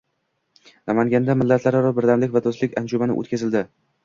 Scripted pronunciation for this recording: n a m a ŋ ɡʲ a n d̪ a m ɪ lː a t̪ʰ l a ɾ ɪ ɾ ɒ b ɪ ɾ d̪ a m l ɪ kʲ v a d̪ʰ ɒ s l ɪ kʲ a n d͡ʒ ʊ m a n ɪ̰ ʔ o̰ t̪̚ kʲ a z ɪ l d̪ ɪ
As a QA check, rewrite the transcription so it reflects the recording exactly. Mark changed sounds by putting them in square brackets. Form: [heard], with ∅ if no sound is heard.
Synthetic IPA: n a m a ŋ ɡʲ a n d̪ a m ɪ lː a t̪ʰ l a ɾ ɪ ɾ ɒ b ɪ ɾ d̪ a m l ɪ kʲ v a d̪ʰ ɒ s l ɪ kʲ a n d͡ʒ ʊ m a n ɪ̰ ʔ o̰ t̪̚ kʲ a z ɪ l d̪ ɪ